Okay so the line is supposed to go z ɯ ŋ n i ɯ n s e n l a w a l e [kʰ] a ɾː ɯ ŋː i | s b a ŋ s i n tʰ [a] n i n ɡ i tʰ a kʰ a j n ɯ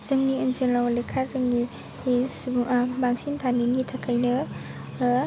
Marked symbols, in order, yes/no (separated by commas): yes, yes